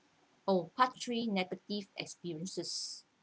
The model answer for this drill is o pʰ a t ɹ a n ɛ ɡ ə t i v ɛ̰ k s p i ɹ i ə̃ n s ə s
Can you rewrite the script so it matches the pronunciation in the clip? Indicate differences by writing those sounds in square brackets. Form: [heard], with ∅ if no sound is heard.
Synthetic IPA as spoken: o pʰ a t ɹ [i] n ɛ ɡ ə t i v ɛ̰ k s p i ɹ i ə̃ n s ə s